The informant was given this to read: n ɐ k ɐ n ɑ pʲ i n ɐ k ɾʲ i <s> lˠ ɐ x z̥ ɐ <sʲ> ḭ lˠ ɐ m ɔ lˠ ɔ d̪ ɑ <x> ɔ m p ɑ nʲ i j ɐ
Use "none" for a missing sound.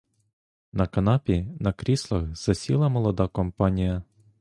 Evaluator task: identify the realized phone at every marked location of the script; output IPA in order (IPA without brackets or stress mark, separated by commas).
s, sʲ, k